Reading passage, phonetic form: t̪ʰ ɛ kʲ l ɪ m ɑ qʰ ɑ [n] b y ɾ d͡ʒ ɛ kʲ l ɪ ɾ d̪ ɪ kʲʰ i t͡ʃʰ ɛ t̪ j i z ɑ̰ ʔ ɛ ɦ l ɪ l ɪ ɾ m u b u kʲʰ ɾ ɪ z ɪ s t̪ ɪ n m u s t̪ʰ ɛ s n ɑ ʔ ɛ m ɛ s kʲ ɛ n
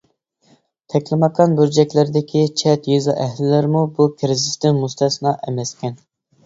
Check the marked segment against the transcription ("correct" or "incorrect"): correct